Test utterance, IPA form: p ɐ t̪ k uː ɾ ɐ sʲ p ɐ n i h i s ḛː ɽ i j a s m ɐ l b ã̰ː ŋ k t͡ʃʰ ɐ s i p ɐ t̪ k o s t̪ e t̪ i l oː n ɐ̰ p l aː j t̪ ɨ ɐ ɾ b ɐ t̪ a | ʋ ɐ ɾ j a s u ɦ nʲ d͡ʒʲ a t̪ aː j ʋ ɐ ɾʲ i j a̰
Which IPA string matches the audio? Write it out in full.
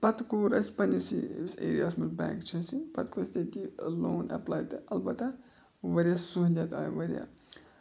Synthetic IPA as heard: p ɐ t̪ k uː ɾ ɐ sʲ p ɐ n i s i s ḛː ɾ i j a s m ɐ l b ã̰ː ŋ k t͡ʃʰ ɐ s i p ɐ t̪ k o s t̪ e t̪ i l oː n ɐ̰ p l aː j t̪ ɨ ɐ l b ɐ t̪ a | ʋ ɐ ɾ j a s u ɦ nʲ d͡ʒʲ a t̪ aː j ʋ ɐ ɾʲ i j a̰